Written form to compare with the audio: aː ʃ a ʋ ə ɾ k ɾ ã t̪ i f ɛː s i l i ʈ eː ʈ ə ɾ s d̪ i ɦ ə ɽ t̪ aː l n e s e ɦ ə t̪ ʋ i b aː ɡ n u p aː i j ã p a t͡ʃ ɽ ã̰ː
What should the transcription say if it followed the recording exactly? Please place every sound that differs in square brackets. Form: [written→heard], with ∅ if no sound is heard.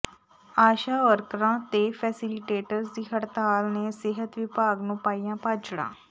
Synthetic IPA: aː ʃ a ʋ ə ɾ k ɾ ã t̪ [i→e] f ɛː s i l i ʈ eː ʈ ə ɾ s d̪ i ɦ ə ɽ t̪ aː l n e s e ɦ ə t̪ ʋ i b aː ɡ n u p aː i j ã p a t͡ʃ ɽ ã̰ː